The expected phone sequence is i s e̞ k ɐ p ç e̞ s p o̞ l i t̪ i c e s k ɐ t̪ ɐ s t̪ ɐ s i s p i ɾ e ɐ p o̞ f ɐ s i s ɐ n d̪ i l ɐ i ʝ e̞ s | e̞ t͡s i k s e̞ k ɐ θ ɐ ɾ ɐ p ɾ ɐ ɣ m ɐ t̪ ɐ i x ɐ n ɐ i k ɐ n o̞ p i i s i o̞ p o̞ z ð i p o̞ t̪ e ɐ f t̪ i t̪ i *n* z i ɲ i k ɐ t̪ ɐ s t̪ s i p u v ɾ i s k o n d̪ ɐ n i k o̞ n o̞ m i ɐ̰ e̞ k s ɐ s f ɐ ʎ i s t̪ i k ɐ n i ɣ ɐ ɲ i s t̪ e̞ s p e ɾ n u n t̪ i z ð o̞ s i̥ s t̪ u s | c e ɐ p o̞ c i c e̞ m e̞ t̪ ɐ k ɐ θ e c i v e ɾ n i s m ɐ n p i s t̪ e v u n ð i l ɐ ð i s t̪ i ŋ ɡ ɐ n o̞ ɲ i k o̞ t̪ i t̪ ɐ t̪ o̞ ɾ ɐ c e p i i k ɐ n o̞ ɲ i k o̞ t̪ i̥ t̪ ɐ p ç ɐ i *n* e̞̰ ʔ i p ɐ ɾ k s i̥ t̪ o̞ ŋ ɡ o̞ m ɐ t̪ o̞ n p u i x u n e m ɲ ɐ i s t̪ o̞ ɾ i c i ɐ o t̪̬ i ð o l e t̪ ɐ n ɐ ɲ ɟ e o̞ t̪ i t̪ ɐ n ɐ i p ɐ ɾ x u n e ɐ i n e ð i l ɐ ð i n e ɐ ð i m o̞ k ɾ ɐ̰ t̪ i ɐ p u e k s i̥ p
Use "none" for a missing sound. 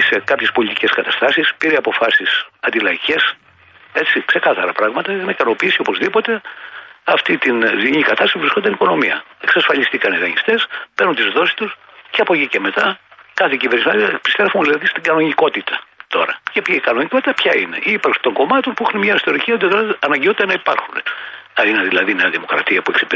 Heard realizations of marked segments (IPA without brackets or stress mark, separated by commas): n, n